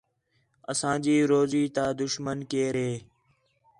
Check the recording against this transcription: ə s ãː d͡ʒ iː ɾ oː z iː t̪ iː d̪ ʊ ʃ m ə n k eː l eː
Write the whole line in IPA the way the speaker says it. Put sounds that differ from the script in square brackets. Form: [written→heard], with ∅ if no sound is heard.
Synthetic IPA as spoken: ə s ãː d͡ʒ iː ɾ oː z iː t̪ [iː→aː] d̪ ʊ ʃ m ə n k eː [l→ɾ] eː